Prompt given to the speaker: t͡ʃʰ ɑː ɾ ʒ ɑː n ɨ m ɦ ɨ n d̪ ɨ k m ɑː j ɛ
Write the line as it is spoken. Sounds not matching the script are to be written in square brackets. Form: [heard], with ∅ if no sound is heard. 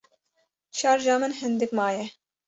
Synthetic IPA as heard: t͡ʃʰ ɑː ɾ ʒ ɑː [m] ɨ [n] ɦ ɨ n d̪ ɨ k m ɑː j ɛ